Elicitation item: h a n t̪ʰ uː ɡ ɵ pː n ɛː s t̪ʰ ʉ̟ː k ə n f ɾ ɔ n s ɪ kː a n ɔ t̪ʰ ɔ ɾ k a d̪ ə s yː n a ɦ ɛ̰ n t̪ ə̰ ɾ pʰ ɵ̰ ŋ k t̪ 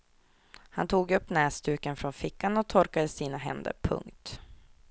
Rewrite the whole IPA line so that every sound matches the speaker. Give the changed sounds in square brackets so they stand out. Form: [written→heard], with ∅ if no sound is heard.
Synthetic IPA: h a n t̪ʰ uː ɡ ɵ pː n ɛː s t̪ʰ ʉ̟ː k ə n f ɾ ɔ n [s→f] ɪ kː a n ɔ t̪ʰ ɔ ɾ k a d̪ ə s [yː→iː] n a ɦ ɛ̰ n [t̪→d̪] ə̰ ɾ pʰ ɵ̰ ŋ k t̪